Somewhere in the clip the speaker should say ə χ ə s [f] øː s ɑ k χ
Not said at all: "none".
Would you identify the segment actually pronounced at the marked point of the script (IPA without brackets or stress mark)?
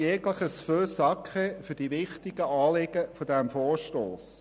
f